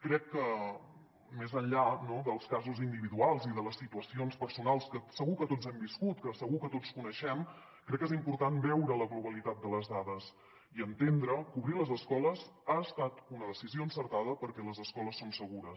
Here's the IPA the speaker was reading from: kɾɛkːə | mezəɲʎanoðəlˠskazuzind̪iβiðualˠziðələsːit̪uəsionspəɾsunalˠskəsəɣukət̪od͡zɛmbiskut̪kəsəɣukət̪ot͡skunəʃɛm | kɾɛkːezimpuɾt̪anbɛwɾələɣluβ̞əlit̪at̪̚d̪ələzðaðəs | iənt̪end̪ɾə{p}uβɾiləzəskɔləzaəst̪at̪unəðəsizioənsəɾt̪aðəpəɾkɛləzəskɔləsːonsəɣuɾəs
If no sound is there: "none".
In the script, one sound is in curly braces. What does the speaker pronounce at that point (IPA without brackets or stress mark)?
k